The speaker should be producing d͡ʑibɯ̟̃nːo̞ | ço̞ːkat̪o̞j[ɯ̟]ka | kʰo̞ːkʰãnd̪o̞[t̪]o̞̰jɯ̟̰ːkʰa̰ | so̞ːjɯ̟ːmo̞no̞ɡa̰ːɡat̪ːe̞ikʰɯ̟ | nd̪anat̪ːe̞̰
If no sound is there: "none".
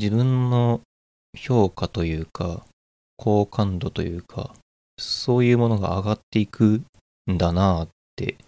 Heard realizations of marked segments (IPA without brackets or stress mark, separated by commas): ɯ̟ː, t̪